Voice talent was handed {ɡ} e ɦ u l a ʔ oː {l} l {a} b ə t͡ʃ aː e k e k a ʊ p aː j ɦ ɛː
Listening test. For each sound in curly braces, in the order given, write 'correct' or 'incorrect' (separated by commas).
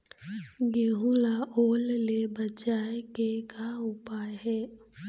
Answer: correct, correct, incorrect